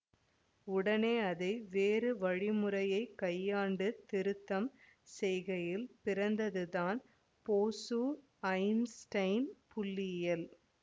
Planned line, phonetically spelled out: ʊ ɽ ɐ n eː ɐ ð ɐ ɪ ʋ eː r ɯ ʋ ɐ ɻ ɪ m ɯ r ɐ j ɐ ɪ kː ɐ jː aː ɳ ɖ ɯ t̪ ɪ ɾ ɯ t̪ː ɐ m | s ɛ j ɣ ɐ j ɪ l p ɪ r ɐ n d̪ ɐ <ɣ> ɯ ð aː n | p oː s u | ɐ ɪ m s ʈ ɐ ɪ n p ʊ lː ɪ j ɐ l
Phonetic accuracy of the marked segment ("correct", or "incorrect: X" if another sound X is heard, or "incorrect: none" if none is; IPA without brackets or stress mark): incorrect: ð